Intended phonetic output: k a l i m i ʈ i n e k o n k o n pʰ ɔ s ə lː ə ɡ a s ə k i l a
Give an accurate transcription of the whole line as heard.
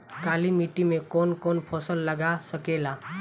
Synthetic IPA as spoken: k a l i m i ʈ i m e k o n k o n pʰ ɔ s ə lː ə ɡ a s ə k e l a